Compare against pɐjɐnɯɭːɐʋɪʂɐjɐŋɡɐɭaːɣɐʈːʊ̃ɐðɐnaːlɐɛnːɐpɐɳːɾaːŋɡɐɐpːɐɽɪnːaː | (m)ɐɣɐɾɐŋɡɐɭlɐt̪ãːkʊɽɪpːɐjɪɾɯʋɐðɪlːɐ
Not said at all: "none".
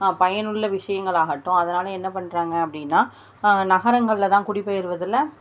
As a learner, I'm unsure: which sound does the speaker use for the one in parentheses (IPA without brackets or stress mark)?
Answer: n